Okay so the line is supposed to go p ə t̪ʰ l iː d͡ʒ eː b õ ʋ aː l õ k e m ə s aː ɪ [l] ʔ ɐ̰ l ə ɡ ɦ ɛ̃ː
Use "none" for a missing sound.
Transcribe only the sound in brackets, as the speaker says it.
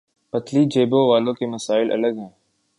l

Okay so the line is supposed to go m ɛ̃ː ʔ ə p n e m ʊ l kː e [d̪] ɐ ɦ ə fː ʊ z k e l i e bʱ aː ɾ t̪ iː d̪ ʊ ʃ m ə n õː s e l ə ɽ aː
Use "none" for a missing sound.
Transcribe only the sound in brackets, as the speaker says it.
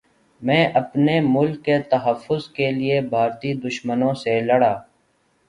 t̪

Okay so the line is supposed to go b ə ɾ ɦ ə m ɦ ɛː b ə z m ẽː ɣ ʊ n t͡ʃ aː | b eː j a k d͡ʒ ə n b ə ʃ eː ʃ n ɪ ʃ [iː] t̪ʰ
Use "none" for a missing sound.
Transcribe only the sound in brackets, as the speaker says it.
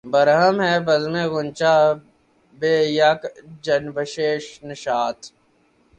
aː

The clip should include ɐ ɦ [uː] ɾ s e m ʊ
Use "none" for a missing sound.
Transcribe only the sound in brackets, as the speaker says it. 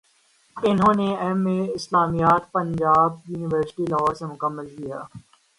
ɔː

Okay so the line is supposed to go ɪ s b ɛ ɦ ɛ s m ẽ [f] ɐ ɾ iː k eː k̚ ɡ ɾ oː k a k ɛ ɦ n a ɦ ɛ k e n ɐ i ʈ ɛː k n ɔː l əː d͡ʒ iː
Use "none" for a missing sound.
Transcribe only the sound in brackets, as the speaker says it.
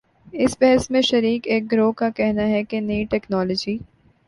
ʃ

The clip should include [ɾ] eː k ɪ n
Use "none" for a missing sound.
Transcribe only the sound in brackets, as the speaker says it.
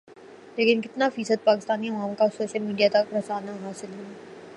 l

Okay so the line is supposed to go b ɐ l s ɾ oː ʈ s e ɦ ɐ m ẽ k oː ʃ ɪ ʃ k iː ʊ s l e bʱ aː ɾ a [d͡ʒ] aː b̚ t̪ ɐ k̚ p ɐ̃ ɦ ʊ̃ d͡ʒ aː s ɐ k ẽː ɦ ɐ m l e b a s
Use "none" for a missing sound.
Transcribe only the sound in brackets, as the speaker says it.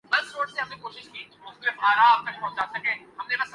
none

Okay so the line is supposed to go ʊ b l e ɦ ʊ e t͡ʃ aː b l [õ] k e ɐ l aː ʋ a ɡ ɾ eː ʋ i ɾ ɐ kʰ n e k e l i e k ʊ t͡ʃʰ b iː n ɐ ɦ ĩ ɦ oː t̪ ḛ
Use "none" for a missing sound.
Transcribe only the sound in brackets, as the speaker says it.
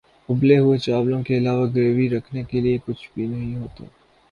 õ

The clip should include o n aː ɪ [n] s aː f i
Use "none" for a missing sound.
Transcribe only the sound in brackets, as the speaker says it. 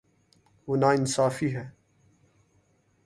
n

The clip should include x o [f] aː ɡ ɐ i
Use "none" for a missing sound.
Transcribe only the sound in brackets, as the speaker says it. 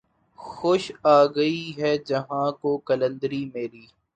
ʃ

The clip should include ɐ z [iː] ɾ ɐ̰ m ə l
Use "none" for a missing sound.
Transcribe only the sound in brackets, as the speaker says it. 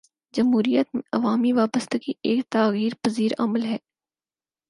iː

